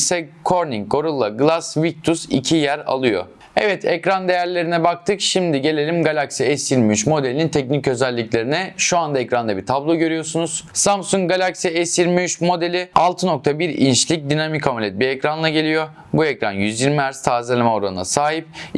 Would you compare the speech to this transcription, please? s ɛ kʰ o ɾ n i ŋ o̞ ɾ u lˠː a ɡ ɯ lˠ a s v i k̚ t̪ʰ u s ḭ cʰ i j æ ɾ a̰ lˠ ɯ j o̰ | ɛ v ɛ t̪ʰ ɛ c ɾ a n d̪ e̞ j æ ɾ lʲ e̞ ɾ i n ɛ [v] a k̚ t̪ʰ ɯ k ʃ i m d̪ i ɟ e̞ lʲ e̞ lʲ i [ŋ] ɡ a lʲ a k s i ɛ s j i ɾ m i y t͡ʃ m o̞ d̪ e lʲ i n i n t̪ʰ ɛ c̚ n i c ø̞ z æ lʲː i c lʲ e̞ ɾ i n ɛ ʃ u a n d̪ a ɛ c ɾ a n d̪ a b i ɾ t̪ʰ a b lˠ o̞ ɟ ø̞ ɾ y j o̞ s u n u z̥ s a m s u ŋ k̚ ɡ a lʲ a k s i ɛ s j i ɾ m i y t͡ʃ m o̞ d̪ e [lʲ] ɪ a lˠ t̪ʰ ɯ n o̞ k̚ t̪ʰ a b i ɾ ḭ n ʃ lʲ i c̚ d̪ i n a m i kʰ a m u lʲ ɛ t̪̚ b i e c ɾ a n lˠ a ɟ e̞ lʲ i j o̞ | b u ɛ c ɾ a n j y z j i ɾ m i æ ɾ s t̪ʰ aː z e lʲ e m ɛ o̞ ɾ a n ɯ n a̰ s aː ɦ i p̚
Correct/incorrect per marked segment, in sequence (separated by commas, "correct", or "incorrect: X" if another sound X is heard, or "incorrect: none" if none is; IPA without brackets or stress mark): incorrect: b, incorrect: m, correct